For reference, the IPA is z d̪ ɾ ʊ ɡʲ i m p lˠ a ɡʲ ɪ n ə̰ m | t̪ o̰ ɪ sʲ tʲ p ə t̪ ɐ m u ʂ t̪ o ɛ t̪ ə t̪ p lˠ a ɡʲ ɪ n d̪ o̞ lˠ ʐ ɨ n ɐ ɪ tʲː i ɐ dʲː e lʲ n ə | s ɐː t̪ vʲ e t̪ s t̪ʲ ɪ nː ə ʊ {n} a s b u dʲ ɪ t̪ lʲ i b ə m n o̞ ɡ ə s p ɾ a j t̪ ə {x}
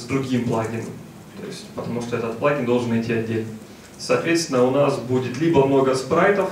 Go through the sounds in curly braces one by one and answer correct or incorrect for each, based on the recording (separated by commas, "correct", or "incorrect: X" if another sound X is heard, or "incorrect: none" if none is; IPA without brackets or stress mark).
correct, incorrect: f